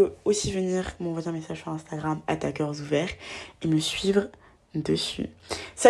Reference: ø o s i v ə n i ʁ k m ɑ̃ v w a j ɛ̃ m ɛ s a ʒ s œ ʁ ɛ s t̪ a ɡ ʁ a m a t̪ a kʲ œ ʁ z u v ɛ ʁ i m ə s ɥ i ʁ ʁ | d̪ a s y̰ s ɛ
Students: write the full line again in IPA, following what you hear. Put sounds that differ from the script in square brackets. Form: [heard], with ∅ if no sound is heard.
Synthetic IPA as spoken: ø o s i v ə n i ʁ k m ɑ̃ v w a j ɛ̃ m [e] s a ʒ s [y] ʁ [ɛ̃] s t̪ a ɡ ʁ a m a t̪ a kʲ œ ʁ z u v ɛ ʁ [e] m ə s ɥ i [v] ʁ | d̪ [ə] s y̰ s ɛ